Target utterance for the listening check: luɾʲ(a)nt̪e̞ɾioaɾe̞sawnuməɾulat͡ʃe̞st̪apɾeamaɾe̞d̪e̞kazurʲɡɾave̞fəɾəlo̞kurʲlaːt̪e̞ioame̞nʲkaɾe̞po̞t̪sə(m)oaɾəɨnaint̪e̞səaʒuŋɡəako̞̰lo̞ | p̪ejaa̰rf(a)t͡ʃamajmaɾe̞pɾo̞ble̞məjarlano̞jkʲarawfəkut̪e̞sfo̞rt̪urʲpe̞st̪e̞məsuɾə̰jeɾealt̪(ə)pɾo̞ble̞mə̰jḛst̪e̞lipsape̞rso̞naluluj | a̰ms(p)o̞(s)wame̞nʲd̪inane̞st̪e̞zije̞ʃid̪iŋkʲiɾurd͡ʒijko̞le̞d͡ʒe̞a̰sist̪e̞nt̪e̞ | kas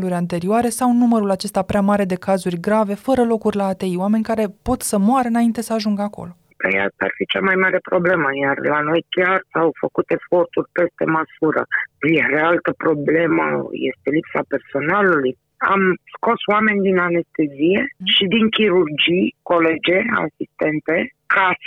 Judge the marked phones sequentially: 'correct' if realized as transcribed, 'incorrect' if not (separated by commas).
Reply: correct, correct, incorrect, correct, incorrect, correct